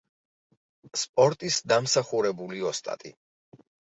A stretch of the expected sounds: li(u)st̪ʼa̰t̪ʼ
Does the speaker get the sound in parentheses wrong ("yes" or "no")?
yes